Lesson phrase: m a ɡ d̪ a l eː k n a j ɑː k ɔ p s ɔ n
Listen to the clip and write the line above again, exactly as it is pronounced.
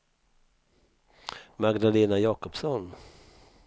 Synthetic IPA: m a ɡ d̪ a l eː n a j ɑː k ɔ p s ɔ n

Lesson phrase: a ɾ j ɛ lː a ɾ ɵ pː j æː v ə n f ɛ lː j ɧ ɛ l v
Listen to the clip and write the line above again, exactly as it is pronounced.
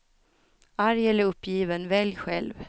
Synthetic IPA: a ɾ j ɛ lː ə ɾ ɵ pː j iː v ə n v ɛ l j ɧ ɛ l v

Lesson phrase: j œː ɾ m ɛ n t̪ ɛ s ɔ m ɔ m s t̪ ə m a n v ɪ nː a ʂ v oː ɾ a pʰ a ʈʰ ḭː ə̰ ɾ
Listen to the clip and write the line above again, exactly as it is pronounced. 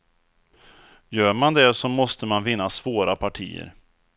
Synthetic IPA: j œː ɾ m a n d̪ ɛ s ɔ m ɔ s t̪ ə m a n v ɪ nː a s v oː ɾ a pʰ a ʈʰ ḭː ə̰ ɾ

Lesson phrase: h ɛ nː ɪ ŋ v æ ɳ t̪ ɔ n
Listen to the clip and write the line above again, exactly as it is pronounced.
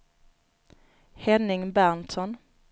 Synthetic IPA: h ɛ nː ɪ ŋ b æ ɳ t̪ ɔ n

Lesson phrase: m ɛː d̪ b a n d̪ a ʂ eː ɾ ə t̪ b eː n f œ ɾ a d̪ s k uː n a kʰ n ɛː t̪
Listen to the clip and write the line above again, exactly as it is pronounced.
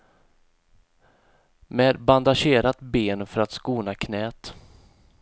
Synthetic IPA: m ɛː d̪ b a n d̪ a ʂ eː ɾ a t̪ b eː n f œ ɾ a t̪ s k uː n a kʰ n ɛː t̪

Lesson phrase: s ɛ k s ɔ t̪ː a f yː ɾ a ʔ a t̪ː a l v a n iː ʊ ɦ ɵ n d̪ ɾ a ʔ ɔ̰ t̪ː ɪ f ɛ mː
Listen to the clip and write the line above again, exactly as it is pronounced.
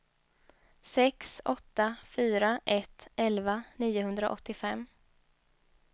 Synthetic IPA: s ɛ k s ɔ t̪ː a f yː ɾ a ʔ ɛ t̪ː ɛ l v a n iː ʊ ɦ ɵ n d̪ ɾ a ʔ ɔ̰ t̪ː ɪ f ɛ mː

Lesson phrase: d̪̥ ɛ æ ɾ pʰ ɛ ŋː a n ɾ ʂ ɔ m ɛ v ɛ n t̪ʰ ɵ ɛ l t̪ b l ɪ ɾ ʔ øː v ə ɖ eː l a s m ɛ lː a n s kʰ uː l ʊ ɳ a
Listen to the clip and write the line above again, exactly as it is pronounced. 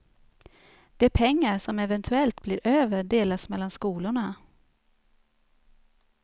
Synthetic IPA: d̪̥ ɛ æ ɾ pʰ ɛ ŋː a ɾ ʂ ɔ m ɛ v ɛ n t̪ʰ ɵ ɛ l t̪ b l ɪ ɾ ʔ øː v ə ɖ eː l a s m ɛ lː a n s k uː l ʊ ɳ a

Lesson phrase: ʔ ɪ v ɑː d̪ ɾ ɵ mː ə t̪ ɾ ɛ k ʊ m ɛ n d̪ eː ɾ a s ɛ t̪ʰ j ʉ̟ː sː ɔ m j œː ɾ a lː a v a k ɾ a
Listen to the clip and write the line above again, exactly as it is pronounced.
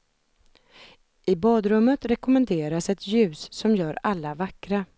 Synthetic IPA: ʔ ɪ b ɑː d̪ ɾ ɵ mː ə t̪ ɾ ɛ k ʊ m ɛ n d̪ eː ɾ a s ɛ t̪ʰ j ʉ̟ː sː ɔ m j œː ɾ a lː a v a k ɾ a

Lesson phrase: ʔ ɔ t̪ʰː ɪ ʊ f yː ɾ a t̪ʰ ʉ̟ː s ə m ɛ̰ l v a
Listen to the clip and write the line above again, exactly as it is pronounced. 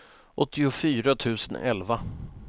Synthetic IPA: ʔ ɔ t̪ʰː ɪ ʊ f yː ɾ a t̪ʰ ʉ̟ː s ə n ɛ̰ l v a

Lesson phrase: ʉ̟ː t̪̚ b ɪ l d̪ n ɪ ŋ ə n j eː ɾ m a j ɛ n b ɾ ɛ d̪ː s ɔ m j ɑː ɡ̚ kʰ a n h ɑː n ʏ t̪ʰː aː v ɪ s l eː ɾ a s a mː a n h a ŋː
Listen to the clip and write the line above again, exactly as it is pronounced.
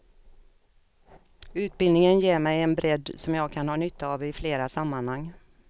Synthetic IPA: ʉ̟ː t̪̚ b ɪ l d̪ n ɪ ŋ ə n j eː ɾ m ɛ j ɛ n b ɾ ɛ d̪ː s ɔ m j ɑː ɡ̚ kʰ a n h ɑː n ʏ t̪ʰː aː v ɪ f l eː ɾ a s a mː a n h a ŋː

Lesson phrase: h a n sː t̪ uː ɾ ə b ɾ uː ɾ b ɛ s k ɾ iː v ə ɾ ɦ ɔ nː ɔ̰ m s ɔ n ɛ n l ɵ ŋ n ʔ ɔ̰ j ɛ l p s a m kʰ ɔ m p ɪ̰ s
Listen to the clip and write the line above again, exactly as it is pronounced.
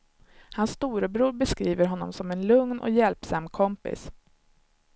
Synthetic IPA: h a n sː t̪ uː ɾ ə b ɾ uː ɾ b ɛ s k ɾ iː v ə ɾ ɦ ɔ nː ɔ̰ m s ɔ m ɛ n l ɵ ŋ n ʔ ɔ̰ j ɛ l p s a m kʰ ɔ m p ɪ̰ s

